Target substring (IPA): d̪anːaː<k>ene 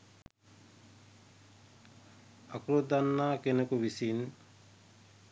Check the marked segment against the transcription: correct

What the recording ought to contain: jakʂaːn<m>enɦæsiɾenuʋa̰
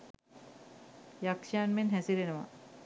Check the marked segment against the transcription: correct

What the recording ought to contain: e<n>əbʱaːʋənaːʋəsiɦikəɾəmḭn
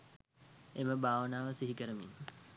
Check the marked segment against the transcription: incorrect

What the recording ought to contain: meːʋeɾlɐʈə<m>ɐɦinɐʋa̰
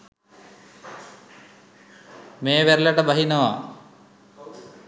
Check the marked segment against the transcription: incorrect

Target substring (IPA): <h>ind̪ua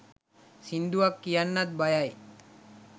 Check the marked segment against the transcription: incorrect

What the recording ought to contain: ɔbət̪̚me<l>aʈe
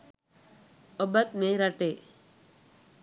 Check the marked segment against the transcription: incorrect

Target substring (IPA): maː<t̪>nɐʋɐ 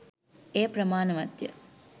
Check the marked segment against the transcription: incorrect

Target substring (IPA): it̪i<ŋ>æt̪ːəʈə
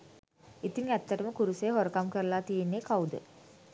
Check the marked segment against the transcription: correct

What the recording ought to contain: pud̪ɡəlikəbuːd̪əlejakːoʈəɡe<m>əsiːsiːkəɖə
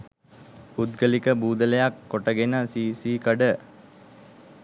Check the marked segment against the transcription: incorrect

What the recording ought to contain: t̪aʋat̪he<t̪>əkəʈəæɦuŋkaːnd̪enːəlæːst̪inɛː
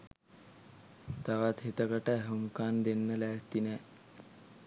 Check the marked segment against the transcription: correct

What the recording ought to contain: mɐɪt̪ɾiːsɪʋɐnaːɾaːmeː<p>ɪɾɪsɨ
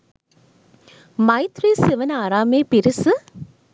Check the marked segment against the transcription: correct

